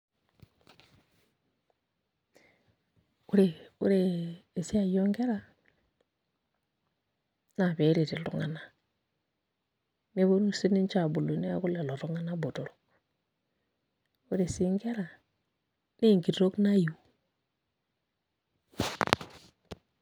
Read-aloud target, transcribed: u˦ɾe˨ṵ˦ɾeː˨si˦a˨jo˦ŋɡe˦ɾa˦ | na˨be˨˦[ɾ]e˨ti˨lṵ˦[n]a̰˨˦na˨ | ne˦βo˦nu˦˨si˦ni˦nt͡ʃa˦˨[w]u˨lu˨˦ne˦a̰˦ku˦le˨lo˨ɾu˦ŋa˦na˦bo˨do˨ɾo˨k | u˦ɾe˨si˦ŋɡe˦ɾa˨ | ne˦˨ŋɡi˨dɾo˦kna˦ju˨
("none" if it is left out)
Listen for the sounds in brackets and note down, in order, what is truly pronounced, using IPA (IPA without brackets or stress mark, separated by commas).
ɾ, ŋ, b